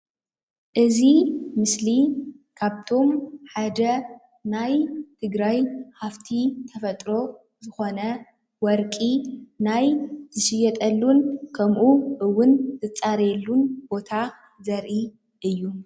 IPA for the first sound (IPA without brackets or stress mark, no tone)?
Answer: ʔ